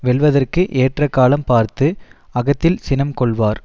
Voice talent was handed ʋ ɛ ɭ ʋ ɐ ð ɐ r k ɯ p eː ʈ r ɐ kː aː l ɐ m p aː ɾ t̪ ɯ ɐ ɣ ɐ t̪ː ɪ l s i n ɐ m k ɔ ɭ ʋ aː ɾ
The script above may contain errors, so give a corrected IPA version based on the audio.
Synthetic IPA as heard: ʋ ɛ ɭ ʋ ɐ ð ɐ r k ɯ ʔ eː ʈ r ɐ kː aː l ɐ m p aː ɾ t̪ ɯ ɐ ɣ ɐ t̪ː ɪ l s ɪ n ɐ m k ɔ ɭ ʋ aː ɾ